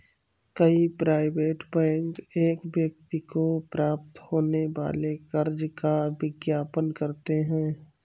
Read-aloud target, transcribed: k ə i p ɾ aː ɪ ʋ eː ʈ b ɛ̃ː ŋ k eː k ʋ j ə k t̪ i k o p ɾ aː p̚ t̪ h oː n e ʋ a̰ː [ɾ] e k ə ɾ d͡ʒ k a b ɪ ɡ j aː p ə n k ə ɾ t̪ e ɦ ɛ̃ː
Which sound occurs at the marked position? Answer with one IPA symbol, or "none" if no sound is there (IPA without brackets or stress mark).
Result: l